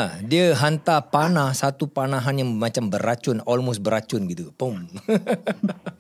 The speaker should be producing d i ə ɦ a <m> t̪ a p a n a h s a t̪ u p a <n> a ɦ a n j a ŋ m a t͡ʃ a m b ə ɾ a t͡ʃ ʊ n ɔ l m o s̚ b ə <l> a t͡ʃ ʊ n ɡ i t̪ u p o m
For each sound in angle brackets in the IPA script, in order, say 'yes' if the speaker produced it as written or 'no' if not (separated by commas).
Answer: no, yes, no